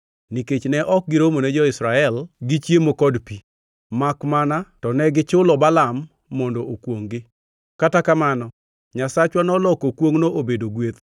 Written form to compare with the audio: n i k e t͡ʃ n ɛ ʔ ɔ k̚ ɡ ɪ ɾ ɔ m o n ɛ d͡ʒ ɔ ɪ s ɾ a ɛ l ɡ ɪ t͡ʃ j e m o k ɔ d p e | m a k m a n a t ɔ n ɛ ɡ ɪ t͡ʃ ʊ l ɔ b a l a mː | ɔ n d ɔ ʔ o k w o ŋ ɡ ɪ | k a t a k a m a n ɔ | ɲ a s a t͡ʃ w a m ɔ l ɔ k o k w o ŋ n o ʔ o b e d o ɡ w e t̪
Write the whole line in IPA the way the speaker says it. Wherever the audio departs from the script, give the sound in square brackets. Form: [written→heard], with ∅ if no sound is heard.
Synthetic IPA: n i k e t͡ʃ n ɛ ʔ ɔ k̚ ɡ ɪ ɾ [ɔ→o] m o n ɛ d͡ʒ ɔ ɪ s ɾ a ɛ l ɡ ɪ t͡ʃ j e m o k ɔ d p [e→i] | m a k m a n a t ɔ n ɛ ɡ ɪ t͡ʃ ʊ l ɔ b a l a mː | ɔ n d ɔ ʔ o k w o ŋ ɡ ɪ | k a t a k a m a n ɔ | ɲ a s a t͡ʃ w a [m→n] ɔ l ɔ k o k w o ŋ n o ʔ o b e d o ɡ w e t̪